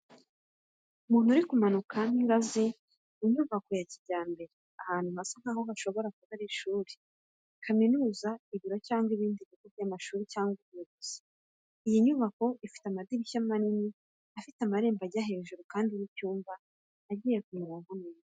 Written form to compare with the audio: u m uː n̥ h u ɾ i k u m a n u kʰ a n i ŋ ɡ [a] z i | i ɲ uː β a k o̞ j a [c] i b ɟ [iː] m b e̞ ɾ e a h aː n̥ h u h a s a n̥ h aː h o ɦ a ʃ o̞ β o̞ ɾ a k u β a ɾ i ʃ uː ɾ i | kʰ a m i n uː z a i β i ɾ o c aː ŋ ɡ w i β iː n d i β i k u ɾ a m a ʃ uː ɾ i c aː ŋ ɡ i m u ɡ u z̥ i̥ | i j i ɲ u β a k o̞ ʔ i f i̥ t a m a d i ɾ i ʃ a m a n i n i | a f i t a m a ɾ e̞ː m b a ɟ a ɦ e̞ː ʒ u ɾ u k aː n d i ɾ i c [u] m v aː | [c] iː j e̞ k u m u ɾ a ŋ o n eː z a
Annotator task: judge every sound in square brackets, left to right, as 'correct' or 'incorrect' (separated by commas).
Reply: correct, correct, incorrect, incorrect, incorrect